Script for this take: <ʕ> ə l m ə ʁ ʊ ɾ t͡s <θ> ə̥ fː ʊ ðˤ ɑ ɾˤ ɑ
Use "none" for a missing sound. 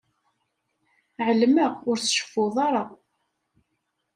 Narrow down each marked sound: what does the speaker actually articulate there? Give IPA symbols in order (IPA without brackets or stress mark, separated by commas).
ʕ, ʃ